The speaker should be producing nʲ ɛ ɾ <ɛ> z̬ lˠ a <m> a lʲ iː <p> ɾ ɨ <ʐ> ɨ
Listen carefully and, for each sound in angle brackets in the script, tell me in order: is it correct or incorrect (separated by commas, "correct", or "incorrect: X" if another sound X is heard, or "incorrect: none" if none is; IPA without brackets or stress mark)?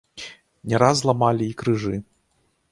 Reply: incorrect: a, correct, incorrect: k, correct